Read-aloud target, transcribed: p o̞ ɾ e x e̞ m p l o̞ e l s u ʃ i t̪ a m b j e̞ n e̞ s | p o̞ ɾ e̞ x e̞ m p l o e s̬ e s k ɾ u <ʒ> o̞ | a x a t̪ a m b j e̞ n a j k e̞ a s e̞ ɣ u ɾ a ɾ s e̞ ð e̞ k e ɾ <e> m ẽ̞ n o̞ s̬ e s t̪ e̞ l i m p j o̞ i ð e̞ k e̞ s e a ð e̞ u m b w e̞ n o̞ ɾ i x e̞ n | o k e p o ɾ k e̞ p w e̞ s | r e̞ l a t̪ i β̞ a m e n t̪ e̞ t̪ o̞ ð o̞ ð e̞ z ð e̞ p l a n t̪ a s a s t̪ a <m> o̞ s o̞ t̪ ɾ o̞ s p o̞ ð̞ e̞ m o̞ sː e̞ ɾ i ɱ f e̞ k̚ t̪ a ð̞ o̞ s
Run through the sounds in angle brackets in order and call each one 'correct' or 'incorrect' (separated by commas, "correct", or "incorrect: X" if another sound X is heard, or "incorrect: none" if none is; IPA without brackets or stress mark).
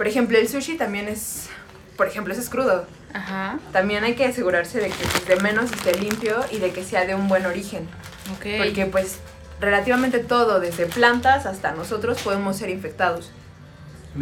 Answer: incorrect: ð, correct, incorrect: n